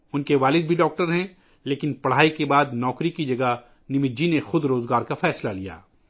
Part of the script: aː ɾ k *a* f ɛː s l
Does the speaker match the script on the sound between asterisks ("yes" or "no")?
yes